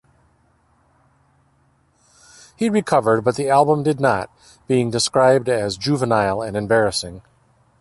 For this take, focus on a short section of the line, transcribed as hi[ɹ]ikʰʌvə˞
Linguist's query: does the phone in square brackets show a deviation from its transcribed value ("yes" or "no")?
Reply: no